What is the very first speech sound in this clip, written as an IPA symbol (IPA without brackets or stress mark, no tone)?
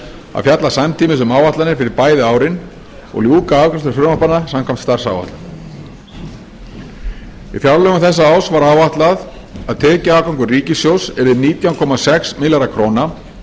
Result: a̰